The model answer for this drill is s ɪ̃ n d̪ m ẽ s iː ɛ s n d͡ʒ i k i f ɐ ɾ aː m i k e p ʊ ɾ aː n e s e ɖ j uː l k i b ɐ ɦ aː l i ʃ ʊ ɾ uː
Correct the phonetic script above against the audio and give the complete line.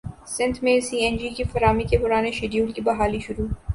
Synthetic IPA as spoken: s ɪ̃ n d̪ m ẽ s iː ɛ n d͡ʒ i k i f ɐ ɾ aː m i k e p ʊ ɾ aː n e ʃ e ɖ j uː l k i b ɐ ɦ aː l i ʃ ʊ ɾ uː